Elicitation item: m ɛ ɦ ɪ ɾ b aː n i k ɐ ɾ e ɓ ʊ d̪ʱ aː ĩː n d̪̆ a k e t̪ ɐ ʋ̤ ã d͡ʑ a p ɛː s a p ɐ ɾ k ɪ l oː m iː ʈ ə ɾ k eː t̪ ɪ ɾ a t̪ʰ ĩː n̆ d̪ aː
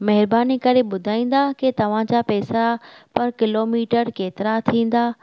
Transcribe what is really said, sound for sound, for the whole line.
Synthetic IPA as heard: m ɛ ɦ ɪ ɾ b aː n i k ɐ ɾ e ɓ ʊ d̪ʱ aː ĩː n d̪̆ a k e t̪ ɐ ʋ̤ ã d͡ʑ a p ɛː s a p ɐ ɾ k ɪ l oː m iː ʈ ə ɾ k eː t̪ ɪ ɾ a t̪ʰ ĩː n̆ d̪ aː

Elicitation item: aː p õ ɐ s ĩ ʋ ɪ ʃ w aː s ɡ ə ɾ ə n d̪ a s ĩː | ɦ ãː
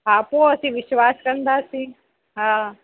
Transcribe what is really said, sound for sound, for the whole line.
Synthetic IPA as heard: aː p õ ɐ s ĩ ʋ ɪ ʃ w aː s k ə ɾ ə n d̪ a s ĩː | ɦ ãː

